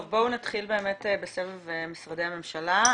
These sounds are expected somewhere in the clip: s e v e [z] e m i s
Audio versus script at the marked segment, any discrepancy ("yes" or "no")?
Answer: yes